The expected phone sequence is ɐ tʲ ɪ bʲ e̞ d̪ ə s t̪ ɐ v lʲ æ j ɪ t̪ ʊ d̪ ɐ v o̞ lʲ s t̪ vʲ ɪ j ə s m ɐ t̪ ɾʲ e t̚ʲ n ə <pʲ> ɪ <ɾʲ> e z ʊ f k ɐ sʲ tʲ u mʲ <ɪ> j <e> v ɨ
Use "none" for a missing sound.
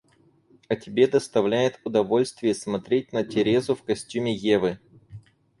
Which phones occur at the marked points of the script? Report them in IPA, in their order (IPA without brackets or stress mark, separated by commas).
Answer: tʲ, ɾʲ, ɪ, e